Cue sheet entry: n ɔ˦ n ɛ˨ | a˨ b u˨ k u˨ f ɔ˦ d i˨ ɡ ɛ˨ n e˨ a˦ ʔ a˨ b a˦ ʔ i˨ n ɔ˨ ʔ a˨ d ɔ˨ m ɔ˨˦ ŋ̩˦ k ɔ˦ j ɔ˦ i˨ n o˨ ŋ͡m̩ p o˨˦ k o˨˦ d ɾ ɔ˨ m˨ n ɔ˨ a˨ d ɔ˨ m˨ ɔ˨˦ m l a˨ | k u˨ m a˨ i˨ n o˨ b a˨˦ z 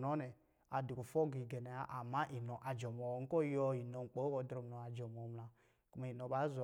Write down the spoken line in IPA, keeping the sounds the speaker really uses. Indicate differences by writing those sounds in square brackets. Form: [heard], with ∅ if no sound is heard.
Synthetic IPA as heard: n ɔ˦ n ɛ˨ | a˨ [d] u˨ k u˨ f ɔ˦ [ɡ] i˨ ɡ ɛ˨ n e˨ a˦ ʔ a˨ [m] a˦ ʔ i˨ n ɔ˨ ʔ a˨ [d͡ʒ] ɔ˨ m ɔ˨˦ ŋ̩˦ k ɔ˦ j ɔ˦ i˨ n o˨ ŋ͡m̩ [k͡p] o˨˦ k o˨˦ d ɾ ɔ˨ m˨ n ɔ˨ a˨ [d͡ʒ] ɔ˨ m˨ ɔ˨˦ m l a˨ | k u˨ m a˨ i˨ n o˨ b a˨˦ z